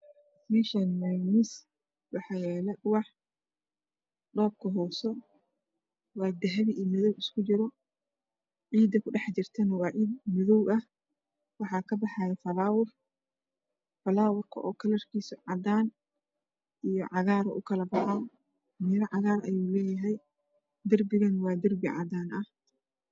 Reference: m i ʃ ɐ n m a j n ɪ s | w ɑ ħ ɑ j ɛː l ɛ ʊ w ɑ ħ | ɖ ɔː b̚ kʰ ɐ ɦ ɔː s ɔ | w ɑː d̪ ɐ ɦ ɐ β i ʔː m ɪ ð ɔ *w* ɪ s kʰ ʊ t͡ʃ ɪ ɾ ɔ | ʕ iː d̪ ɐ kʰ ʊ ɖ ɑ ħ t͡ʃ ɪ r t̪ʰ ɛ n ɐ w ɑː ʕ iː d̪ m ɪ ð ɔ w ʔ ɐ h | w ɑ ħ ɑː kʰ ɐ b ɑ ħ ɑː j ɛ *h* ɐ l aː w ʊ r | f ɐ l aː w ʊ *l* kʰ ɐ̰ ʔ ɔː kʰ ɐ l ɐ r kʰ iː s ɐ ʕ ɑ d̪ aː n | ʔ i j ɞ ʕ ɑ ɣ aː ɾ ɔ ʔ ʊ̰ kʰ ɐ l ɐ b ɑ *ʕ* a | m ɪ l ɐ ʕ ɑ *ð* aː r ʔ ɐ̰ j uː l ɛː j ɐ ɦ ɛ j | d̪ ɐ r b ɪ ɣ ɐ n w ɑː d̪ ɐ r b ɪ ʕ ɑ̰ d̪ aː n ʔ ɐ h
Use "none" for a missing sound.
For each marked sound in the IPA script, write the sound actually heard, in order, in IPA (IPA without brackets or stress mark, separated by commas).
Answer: w, f, r, ʕ, ɣ